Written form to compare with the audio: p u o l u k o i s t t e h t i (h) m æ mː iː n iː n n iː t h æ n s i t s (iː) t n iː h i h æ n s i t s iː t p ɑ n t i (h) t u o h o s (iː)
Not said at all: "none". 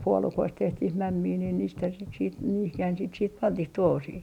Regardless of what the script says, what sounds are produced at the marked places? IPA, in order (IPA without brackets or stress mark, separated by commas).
h, iː, h, iː